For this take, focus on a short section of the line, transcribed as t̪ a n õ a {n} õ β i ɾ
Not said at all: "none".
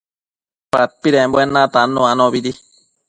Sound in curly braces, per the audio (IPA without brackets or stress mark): n